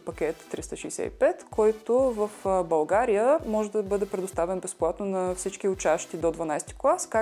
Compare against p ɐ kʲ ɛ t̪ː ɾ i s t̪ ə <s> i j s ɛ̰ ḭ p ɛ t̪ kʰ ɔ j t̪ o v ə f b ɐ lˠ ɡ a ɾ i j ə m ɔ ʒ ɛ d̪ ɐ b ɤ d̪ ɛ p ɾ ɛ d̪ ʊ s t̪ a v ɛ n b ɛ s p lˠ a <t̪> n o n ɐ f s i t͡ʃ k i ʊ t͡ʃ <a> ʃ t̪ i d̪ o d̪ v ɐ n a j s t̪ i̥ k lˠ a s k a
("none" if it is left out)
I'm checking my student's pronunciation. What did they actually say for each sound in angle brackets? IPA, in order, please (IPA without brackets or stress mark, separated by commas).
ʃ, t̪, a